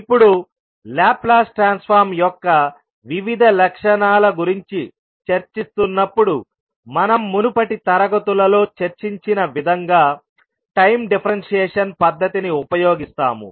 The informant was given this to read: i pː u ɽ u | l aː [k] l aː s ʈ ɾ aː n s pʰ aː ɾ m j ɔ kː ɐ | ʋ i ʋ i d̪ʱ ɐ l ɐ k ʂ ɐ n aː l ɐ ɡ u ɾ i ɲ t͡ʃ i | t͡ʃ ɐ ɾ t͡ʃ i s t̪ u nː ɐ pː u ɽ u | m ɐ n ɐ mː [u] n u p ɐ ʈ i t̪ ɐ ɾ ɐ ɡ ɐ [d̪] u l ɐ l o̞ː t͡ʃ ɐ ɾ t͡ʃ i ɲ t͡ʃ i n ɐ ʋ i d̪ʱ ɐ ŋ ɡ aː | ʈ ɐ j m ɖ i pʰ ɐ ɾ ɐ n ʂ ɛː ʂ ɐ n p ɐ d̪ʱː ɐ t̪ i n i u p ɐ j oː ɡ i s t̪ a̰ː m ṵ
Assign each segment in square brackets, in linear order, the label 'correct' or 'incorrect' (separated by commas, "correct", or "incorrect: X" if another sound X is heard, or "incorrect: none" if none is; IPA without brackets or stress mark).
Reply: incorrect: p, correct, incorrect: t̪